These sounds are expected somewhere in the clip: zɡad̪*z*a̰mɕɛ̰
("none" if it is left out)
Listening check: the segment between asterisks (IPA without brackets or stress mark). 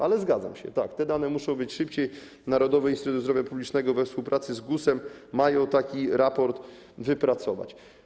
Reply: z